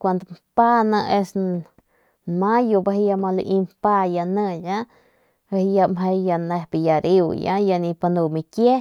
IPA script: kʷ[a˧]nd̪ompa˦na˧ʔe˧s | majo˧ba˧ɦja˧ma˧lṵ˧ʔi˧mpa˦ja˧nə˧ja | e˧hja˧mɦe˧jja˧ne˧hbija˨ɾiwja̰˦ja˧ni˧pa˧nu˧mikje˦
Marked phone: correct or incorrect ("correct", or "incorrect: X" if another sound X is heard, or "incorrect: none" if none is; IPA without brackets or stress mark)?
correct